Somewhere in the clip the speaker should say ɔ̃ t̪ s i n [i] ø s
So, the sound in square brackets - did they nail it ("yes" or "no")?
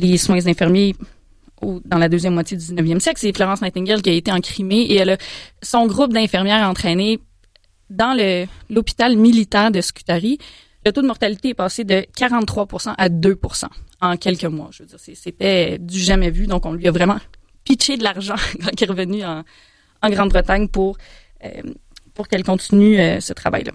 no